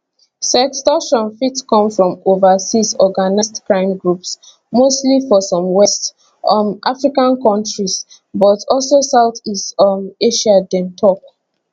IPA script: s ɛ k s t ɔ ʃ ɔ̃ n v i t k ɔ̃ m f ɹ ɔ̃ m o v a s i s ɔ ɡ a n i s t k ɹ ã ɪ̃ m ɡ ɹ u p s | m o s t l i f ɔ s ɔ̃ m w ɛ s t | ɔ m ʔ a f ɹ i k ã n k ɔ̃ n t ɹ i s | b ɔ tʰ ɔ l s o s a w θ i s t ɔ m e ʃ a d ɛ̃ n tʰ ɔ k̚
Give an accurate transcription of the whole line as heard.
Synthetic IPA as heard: s ɛ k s t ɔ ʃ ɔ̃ n f i t k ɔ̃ m f ɹ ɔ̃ m o v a s i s ɔ ɡ a n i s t k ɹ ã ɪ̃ m ɡ ɹ u p s | m o s t l i f ɔ s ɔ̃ m w ɛ s t | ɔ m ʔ a f ɹ i k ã n k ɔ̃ n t ɹ i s | b ɔ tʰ ɔ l s o s a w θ i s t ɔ m e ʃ a d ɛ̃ n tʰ ɔ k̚

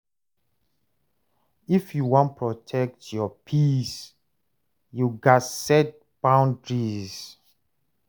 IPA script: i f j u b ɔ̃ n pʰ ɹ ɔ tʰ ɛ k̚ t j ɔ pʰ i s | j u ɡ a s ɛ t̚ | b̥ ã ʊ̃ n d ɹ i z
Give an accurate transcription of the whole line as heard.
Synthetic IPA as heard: i f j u w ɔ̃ n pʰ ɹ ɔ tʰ ɛ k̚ t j ɔ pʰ i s | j u ɡ a s ɛ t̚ | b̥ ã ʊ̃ n d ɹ i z

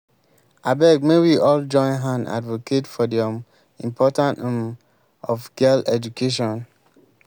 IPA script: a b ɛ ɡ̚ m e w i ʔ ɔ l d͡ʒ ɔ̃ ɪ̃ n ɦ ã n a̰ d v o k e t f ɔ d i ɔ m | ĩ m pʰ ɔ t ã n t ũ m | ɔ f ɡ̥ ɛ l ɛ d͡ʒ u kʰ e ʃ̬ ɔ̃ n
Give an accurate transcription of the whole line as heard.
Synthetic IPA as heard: a b ɛ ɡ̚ m e w i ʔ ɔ l d͡ʒ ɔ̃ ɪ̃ n ɦ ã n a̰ d v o k e t f ɔ d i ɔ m | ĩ m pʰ ɔ t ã n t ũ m | ɔ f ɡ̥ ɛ l ɛ d͡ʒ u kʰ e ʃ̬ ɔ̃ n

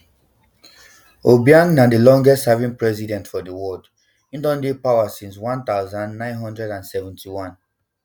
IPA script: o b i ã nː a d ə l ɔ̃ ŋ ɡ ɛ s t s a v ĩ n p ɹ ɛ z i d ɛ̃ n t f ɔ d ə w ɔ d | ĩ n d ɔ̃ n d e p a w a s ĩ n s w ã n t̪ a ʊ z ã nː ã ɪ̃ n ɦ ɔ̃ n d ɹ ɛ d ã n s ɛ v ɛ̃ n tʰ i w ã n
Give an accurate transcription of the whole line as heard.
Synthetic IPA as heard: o b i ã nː a d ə l ɔ̃ ŋ ɡ ɛ s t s a v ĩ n p ɹ ɛ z i d ɛ̃ n t f ɔ d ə w ɔ d | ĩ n d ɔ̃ n d e p a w a s ĩ n s w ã n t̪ a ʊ z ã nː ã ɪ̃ n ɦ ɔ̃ n d ɹ ɛ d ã n s ɛ v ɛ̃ n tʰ i w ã n

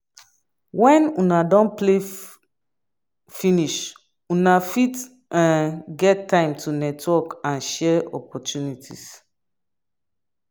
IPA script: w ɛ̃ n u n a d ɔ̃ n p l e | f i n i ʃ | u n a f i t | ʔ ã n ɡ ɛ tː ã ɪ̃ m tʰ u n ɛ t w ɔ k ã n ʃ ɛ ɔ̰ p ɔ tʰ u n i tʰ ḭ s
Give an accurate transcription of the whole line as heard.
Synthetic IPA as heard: w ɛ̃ n u n a d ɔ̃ n p l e | f i n i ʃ | u n a f i t | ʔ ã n ɡ ɛ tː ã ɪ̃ m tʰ u n ɛ t w ɔ k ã n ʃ ɛ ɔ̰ p ɔ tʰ u n i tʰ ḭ s

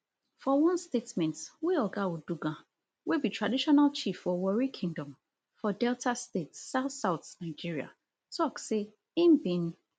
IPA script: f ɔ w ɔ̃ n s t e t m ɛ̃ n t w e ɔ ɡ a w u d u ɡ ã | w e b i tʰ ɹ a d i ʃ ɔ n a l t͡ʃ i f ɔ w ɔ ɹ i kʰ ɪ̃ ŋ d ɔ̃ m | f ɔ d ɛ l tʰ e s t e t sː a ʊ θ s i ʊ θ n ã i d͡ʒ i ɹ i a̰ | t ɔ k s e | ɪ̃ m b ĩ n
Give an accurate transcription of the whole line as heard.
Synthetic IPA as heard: f ɔ w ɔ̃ n s t e t m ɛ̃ n t w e ɔ ɡ a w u d u ɡ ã | w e b i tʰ ɹ a d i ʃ ɔ n a l t͡ʃ i f ɔ w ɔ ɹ i kʰ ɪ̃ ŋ d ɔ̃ m | f ɔ d ɛ l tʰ a s t e t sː a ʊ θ s a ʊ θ n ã ɪ d͡ʒ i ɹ i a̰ | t ɔ k s e | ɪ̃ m b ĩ n

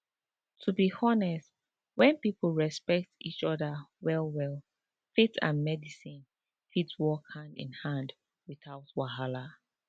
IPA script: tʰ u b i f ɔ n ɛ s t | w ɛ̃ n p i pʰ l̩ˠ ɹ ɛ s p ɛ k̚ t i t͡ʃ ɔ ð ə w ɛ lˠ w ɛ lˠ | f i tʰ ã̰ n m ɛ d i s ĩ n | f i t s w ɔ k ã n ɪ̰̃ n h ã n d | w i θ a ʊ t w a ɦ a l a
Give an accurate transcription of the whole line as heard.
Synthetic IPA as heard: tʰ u b i h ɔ n ɛ s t | w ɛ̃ n p i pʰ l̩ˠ ɹ ɛ s p ɛ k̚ t i t͡ʃ ɔ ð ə w ɛ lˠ w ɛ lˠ | f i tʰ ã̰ n m ɛ d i s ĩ n | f i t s w ɔ k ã n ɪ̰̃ n h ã n d | w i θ a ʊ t w a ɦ a l a

